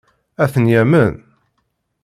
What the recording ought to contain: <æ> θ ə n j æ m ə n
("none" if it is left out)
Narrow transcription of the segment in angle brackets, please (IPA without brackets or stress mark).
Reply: æ